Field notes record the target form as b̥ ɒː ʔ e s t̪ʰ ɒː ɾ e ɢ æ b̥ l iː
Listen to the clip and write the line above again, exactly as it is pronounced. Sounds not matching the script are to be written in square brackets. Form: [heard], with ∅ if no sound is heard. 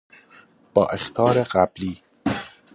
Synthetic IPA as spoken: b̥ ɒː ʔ e [x] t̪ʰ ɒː ɾ e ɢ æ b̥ l iː